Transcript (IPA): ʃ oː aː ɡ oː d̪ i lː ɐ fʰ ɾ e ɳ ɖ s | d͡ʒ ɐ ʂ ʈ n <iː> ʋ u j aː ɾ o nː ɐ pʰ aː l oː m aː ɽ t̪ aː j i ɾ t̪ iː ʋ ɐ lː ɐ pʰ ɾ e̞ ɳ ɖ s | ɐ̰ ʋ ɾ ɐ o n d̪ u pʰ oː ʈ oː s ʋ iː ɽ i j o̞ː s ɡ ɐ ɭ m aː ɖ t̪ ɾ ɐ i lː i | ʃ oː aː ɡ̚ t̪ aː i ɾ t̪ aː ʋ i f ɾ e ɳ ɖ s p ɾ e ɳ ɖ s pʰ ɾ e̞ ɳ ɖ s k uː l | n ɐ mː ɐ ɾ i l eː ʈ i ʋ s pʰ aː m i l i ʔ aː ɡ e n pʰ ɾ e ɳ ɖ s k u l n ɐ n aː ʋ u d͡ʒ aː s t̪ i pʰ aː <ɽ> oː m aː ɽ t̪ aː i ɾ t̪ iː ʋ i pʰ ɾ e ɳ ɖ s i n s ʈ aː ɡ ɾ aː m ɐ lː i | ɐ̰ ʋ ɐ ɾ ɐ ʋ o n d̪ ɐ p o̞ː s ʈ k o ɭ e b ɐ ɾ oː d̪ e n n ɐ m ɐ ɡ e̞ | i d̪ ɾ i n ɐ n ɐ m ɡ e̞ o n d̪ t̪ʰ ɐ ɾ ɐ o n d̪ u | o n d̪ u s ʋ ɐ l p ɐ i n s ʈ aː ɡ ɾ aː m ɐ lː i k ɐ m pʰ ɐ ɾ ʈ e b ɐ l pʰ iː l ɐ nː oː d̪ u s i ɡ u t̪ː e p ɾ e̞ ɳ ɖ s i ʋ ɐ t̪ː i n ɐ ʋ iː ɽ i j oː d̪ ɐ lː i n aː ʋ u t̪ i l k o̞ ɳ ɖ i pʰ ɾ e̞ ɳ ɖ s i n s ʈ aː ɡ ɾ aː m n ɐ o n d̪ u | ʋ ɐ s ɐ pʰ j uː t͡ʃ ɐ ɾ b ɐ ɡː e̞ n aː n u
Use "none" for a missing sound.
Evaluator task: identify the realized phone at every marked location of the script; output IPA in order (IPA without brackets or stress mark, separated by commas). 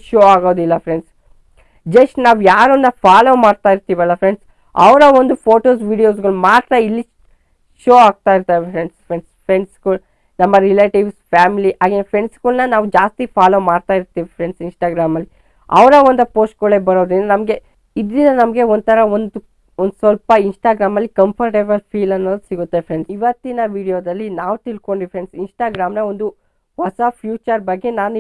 aː, l